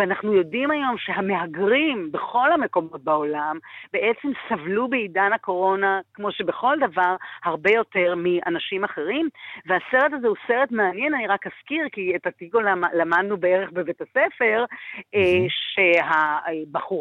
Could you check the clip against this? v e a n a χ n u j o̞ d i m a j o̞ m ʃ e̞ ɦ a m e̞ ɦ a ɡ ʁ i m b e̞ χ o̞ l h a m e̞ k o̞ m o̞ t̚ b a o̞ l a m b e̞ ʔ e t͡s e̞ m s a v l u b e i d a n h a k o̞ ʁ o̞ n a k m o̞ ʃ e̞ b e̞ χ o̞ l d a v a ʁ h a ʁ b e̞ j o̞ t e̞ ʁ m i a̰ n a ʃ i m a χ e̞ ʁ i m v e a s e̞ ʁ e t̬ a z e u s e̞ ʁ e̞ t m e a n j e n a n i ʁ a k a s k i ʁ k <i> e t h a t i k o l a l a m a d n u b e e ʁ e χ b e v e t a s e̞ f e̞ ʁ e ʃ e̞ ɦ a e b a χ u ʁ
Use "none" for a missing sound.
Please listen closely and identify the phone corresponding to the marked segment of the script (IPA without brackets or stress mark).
i